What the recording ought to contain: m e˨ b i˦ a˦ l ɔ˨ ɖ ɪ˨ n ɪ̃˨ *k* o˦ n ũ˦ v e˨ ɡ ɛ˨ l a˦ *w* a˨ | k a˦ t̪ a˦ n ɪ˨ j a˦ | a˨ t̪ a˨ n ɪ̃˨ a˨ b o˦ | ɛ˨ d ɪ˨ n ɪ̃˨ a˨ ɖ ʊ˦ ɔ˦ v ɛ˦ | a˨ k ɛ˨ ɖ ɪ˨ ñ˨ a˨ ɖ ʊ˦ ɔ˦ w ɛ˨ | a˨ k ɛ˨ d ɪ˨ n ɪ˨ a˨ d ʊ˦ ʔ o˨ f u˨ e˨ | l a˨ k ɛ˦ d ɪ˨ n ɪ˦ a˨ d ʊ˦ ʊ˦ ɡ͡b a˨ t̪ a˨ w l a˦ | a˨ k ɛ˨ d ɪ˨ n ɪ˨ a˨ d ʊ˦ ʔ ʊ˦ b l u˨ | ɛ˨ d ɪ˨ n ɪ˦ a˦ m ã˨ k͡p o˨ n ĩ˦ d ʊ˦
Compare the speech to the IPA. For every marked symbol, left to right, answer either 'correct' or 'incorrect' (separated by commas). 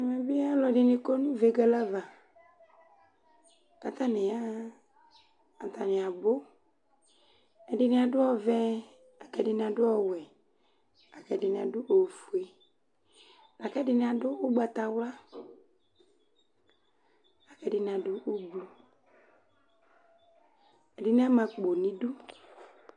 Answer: correct, incorrect